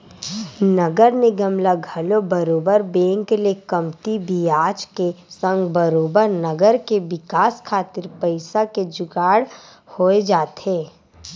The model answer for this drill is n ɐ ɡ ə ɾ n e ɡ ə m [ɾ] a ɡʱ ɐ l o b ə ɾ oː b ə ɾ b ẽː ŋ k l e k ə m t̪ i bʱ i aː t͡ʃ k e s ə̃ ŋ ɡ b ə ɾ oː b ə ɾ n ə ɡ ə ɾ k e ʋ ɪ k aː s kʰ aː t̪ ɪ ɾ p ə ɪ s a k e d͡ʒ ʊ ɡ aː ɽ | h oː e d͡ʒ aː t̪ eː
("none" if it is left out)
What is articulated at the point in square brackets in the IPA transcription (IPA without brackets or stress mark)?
l